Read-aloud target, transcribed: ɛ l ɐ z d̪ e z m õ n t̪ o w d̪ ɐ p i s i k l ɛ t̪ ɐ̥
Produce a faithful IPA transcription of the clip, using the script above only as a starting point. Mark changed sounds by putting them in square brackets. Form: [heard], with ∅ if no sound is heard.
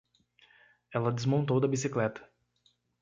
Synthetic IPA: ɛ l ɐ [∅] d̪ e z m õ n t̪ o w d̪ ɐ [b] i s i k l ɛ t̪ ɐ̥